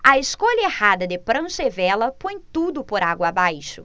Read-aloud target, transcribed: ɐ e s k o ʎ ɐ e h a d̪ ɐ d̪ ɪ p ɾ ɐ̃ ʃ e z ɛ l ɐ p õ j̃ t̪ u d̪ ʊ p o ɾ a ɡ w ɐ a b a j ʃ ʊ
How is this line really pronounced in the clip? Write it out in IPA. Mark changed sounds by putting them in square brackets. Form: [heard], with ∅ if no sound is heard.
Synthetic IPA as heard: ɐ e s k o ʎ ɐ e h a d̪ ɐ d̪ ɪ p ɾ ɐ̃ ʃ e [v] ɛ l ɐ p õ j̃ t̪ u d̪ ʊ p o ɾ a ɡ w ɐ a b a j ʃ ʊ